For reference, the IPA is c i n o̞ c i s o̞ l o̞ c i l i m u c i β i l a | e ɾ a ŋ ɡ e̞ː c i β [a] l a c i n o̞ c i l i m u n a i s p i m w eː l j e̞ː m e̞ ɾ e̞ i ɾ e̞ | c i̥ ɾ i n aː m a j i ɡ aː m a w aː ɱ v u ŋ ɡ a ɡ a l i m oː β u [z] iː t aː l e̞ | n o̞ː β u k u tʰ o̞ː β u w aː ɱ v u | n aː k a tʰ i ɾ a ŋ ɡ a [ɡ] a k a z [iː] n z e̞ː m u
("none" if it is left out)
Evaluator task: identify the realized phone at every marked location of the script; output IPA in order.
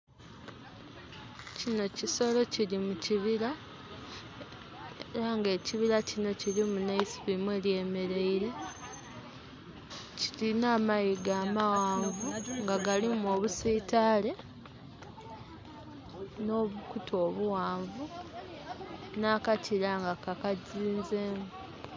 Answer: i, s, k, iː

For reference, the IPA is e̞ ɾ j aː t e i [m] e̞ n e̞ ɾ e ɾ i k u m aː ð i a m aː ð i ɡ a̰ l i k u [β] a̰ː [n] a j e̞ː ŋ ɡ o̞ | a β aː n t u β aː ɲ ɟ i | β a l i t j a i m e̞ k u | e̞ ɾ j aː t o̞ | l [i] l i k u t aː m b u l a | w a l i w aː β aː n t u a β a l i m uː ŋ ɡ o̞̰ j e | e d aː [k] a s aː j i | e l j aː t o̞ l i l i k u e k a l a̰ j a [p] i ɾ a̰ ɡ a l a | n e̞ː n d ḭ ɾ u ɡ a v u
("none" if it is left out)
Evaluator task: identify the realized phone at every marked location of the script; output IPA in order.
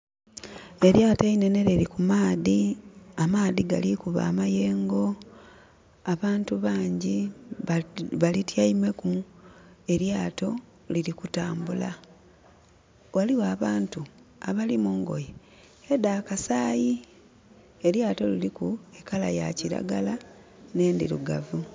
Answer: n, β, m, i, k, c

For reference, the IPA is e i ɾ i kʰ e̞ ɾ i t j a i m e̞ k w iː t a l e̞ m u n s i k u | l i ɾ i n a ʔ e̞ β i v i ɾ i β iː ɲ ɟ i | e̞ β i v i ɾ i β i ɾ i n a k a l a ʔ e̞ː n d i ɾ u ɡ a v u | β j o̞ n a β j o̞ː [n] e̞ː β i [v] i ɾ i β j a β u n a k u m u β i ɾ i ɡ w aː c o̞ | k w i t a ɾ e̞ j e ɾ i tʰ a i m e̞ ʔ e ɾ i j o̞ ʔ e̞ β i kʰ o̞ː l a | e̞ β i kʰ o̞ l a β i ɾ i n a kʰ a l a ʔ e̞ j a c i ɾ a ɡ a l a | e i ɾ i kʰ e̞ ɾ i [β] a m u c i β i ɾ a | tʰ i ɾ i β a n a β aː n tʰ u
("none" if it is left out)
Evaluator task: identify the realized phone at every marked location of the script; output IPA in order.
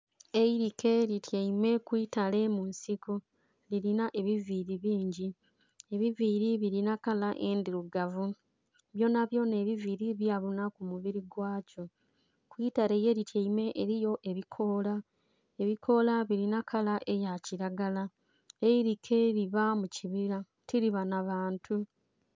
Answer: n, v, β

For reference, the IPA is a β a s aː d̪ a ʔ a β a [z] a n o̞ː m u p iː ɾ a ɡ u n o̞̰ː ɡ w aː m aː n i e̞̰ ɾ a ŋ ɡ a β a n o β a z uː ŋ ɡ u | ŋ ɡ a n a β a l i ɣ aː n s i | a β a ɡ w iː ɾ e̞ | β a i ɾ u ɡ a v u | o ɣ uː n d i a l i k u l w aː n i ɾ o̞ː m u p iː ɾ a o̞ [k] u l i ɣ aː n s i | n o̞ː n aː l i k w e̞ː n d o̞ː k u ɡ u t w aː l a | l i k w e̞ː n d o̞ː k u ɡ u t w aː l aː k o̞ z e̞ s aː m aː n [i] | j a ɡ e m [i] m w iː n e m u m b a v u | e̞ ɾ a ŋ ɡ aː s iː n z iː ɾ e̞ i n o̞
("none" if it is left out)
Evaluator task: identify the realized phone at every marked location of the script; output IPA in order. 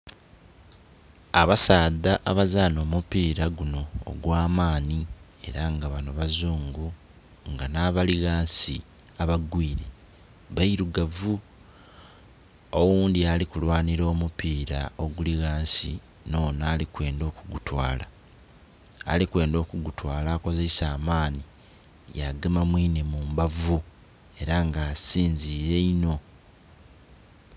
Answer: z, ɡ, i, a

